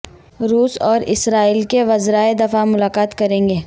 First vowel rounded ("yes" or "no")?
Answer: yes